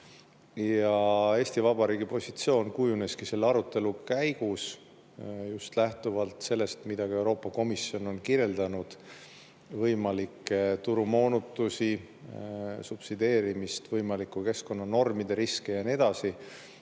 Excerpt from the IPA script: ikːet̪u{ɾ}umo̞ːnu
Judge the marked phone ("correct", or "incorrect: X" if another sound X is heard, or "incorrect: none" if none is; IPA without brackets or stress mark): correct